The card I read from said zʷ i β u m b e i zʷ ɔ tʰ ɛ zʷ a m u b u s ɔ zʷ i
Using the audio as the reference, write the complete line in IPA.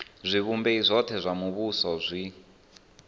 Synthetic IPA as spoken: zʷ i β u m b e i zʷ ɔ tʰ ɛ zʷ a m u β u s ɔ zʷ i